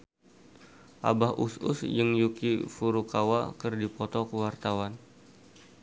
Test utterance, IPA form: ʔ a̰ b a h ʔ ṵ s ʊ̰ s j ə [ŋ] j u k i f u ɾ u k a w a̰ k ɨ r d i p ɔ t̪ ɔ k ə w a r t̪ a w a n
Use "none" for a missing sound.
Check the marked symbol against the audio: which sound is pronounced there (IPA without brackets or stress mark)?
ŋ